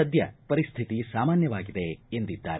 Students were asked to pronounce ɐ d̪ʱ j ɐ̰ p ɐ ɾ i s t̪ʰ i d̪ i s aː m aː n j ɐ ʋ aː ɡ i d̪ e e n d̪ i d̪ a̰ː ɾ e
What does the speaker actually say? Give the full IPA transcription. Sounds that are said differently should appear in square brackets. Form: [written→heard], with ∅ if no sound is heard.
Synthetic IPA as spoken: ɐ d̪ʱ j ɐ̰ p ɐ ɾ i s t̪ʰ i [d̪→t̪] i s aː m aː n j ɐ ʋ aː ɡ i d̪ e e n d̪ i [d̪→d̪ː] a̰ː ɾ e